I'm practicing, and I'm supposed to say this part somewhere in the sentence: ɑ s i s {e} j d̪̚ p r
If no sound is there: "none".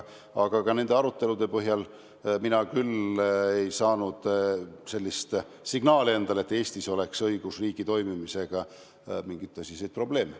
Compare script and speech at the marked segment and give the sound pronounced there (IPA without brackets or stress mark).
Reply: e